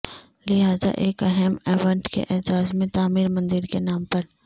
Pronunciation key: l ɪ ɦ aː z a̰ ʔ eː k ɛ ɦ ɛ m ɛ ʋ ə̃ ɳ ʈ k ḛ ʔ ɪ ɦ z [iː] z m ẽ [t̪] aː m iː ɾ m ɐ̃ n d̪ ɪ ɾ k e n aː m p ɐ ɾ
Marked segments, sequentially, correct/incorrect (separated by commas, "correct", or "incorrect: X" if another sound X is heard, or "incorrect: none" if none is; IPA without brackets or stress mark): incorrect: aː, correct